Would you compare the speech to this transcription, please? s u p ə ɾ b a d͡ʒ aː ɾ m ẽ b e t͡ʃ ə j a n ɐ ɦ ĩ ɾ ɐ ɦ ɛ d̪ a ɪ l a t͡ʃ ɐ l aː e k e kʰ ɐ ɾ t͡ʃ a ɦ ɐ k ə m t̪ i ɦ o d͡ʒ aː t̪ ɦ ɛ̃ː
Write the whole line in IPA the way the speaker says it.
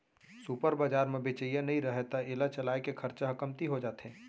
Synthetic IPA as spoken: s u p ə ɾ b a d͡ʒ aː ɾ m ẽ b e t͡ʃ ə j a n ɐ ɦ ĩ ɾ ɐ ɦ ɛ t̪ a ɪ l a t͡ʃ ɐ l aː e k e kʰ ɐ ɾ t͡ʃ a ɦ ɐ k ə m t̪ i ɦ o d͡ʒ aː t̪ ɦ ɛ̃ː